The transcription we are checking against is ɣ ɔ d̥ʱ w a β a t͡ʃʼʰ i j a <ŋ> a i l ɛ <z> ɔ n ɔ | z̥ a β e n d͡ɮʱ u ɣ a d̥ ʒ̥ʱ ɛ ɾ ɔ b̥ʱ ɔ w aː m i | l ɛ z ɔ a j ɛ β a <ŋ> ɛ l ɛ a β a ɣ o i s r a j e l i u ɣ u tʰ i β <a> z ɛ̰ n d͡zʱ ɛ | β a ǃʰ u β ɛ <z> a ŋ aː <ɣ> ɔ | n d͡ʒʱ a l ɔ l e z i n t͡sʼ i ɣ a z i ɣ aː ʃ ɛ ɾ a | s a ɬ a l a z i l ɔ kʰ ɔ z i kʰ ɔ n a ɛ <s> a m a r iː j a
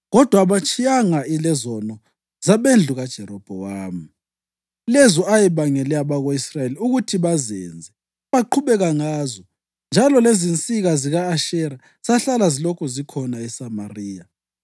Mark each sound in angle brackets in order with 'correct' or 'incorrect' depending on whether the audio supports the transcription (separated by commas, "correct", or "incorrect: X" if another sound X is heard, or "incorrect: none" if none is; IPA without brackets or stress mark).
correct, correct, correct, correct, incorrect: ɣ, incorrect: z, correct